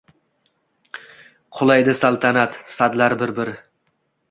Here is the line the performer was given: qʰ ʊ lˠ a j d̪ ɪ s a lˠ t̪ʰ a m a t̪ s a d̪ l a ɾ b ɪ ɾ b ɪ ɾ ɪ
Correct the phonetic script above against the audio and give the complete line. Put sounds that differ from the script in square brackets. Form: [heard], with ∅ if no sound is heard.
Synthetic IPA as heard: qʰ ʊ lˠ a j d̪ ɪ s a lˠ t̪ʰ a [n] a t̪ s a d̪ l a ɾ b ɪ ɾ b ɪ ɾ ɪ